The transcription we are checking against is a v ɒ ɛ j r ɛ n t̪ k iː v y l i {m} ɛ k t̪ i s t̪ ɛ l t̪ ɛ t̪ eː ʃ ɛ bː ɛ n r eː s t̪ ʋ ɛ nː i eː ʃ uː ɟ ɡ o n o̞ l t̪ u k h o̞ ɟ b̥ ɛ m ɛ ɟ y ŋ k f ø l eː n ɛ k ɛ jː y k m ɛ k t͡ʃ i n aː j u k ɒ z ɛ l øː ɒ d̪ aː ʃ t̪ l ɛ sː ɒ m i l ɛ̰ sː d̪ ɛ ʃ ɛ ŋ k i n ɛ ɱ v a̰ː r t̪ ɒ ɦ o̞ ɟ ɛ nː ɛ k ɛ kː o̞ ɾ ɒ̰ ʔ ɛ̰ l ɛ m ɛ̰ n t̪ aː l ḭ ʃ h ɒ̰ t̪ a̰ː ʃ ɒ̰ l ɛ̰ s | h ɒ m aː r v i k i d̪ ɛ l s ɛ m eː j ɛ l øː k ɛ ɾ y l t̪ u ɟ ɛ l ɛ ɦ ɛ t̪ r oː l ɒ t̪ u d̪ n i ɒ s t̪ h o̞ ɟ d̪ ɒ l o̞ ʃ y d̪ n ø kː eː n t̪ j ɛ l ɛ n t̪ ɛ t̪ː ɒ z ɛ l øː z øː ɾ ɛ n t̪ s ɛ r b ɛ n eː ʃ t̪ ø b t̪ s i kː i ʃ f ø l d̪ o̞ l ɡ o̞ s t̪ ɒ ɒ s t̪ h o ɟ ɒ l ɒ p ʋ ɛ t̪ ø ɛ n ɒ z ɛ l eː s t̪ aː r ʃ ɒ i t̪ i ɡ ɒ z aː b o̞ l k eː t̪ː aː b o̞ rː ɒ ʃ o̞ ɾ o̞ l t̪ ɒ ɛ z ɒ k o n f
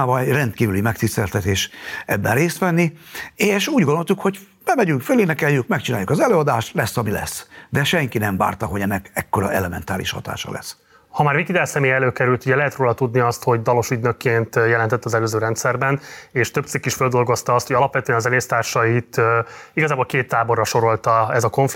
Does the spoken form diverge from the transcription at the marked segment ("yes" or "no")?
no